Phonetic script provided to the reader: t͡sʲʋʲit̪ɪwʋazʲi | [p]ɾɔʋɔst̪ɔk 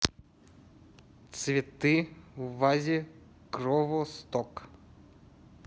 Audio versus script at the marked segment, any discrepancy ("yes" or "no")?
yes